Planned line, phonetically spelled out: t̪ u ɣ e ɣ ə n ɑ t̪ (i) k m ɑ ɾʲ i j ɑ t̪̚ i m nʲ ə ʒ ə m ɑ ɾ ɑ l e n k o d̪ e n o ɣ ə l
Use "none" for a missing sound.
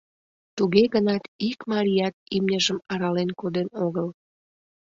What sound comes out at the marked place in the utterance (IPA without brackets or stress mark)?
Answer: i